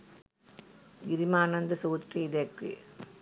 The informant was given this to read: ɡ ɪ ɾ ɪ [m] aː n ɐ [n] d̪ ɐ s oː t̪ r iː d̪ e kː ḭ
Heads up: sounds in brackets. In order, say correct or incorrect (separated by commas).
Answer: correct, correct